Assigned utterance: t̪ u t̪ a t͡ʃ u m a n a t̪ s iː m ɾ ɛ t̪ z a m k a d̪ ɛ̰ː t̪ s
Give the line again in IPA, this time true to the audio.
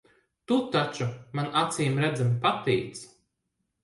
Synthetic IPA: t̪ u t̪ a t͡ʃ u m a n a t̪ s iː m ɾ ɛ d̪ z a m p a t̪ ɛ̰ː t̪ s

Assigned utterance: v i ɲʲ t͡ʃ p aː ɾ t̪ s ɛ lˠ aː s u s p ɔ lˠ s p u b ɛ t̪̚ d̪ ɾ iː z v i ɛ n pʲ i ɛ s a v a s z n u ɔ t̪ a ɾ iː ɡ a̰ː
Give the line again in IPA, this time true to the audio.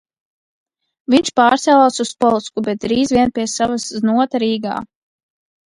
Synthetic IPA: v i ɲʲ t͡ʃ p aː ɾ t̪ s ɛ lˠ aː s u s p ɔ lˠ s k u b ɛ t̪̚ d̪ ɾ iː z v i ɛ n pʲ i ɛ s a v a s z n u ɔ t̪ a ɾ iː ɡ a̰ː

